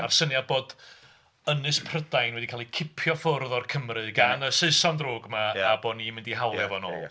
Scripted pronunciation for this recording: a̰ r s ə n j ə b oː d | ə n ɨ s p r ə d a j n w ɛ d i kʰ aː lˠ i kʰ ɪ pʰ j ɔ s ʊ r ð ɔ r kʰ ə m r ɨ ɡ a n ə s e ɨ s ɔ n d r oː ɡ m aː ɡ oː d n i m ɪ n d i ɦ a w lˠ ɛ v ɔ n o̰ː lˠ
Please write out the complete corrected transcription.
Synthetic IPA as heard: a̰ r s ə n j a b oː d | ə n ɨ s pʰ r ə d a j n w ɛ d i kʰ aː lˠ i kʰ ɪ pʰ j ɔ f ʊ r ð ɔ r kʰ ə m r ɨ ɡ a n ə s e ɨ s ɔ n d r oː ɡ m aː b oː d n i m ɪ n d i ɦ a w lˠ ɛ v ɔ n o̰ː lˠ

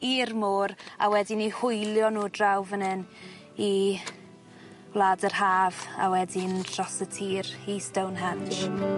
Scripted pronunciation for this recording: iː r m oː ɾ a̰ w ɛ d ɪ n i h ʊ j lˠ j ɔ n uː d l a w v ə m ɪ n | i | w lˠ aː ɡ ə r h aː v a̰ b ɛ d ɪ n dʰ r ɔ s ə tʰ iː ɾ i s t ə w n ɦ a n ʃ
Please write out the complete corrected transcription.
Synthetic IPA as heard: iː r m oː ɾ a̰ w ɛ d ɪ n i h ʊ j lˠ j ɔ n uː d r a w v ə n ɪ n | i | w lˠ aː d ə r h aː v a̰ w ɛ d ɪ n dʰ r ɔ s ə tʰ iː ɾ i s t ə w n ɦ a n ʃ

